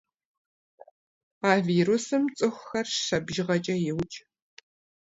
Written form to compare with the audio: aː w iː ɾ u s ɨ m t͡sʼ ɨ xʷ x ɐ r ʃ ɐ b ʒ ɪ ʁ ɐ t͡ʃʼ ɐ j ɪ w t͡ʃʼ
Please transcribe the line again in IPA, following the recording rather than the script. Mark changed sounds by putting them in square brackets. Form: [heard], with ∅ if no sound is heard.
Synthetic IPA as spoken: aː [v] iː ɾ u s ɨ m t͡sʼ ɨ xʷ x ɐ r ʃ ɐ b ʒ ɪ ʁ ɐ t͡ʃʼ ɐ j ɪ w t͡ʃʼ